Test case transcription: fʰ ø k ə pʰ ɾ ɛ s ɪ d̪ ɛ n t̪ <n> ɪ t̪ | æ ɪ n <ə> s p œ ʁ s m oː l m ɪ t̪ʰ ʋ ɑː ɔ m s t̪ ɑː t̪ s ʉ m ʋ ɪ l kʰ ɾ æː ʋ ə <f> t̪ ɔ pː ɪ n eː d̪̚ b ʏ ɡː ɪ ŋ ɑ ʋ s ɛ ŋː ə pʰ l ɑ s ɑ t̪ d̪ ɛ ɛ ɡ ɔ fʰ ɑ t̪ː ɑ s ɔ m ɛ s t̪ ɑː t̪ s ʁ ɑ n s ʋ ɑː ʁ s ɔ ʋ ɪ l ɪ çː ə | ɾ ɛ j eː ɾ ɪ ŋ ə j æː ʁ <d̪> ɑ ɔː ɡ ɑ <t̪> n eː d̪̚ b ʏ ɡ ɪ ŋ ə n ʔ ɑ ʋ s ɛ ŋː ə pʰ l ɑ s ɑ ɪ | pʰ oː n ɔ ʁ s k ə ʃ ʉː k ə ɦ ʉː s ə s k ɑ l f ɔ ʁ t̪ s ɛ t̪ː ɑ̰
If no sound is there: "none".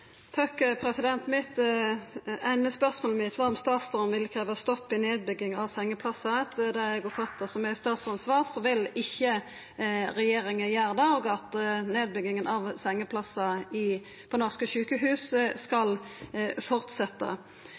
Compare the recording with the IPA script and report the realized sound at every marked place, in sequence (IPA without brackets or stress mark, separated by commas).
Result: m, ə, s, d̪, t̪